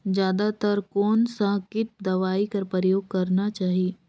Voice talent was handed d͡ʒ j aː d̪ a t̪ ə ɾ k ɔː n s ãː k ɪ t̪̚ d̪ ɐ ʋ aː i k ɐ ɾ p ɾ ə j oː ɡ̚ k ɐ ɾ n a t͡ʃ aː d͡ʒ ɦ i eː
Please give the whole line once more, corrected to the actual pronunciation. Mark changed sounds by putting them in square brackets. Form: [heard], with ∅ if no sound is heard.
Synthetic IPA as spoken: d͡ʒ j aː d̪ a t̪ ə ɾ k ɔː n s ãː k ɪ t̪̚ d̪ ɐ ʋ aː i k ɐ ɾ p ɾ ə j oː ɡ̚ k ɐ ɾ n a t͡ʃ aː [∅] ɦ i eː